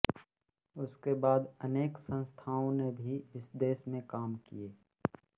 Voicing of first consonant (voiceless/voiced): voiceless